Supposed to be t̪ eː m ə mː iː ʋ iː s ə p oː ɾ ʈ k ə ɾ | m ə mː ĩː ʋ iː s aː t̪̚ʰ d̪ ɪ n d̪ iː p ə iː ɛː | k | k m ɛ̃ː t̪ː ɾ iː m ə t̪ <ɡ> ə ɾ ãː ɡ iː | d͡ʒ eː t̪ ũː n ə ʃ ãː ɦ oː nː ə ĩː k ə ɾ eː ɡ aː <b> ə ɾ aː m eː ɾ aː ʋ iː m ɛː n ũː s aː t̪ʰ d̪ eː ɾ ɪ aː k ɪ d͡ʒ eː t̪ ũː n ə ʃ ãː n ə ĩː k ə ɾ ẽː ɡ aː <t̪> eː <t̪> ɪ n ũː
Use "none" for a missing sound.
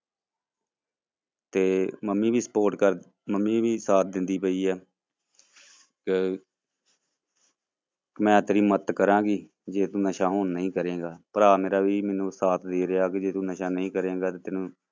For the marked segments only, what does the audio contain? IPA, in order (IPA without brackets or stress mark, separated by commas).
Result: k, p, t̪, t̪